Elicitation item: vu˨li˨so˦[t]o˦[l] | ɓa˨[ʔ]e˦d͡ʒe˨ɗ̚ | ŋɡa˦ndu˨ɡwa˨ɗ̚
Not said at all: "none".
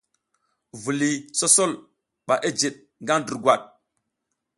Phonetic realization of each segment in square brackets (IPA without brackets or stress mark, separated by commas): s, l, ʔ